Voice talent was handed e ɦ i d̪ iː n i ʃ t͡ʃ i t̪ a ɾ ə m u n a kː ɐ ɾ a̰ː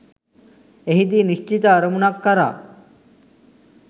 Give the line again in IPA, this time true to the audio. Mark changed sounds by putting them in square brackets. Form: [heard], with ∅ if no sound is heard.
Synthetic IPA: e ɦ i d̪ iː n i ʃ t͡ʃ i t̪ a ɾ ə m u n a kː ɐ ɾ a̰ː